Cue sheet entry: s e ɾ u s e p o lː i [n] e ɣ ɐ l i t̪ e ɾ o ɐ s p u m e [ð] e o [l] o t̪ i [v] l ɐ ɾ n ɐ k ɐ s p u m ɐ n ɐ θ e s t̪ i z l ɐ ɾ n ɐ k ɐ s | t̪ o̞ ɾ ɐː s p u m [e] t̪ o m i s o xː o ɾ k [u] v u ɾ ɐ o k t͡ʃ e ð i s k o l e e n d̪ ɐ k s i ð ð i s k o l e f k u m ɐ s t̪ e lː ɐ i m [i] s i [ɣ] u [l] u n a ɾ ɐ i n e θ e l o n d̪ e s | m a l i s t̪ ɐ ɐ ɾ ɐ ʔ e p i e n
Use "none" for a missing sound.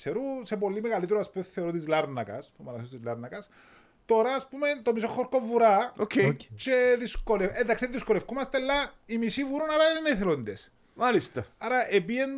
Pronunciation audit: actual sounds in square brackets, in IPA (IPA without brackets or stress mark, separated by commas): m, θ, ɾ, z, e, o, i, v, ɾ